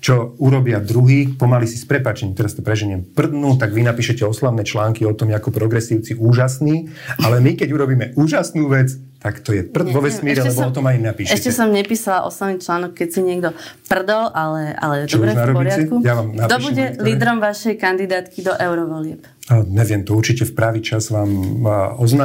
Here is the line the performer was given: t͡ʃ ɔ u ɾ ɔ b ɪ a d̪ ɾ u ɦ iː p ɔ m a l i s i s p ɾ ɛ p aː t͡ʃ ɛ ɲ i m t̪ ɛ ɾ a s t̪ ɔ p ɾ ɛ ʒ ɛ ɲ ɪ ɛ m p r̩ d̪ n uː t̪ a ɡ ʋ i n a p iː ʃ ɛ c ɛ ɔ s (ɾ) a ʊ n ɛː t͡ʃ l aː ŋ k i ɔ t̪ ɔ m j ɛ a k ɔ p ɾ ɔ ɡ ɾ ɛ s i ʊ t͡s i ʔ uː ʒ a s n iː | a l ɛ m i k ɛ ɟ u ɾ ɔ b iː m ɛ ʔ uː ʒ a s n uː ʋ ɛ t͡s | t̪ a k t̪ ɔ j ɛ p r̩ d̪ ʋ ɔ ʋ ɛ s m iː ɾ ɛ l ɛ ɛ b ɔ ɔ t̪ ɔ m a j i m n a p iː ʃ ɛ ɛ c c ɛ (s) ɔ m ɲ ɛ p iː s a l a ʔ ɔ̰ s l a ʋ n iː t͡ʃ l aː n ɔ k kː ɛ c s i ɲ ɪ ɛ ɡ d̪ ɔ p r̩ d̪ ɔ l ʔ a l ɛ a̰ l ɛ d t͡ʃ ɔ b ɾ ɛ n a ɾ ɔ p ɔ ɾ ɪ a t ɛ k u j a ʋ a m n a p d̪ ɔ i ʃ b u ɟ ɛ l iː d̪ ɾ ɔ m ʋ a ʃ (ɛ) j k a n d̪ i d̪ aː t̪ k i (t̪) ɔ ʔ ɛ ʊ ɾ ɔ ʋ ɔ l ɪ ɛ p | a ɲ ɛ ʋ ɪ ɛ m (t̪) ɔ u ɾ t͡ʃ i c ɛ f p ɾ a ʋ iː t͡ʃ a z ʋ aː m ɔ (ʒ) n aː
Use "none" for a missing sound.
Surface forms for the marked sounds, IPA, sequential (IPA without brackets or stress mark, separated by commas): l, s, ɛ, d̪, t̪, z